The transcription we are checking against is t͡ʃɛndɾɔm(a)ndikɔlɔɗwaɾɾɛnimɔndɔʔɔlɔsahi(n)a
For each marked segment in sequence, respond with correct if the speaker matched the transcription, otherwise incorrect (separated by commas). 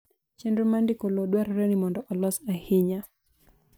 correct, incorrect